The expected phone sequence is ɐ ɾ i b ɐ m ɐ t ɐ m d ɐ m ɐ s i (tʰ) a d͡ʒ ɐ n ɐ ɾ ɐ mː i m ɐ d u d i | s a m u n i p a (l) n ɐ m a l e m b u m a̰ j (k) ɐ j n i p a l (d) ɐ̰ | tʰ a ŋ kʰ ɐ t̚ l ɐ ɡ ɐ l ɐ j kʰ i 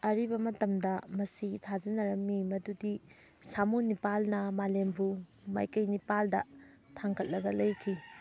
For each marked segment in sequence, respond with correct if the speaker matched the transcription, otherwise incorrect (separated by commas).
correct, correct, correct, correct